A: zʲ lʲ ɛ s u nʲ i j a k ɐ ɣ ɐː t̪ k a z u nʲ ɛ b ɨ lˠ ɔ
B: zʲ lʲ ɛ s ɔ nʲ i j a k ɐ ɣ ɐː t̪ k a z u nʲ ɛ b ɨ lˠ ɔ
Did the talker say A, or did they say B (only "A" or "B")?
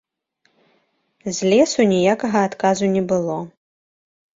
A